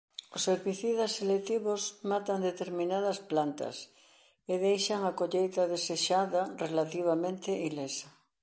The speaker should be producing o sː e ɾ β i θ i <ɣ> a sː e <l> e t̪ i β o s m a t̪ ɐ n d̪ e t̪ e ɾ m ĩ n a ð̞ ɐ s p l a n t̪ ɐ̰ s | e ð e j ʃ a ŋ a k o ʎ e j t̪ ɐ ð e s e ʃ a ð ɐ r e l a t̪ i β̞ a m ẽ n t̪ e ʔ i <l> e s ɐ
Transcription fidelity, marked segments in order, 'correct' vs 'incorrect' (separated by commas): incorrect, correct, correct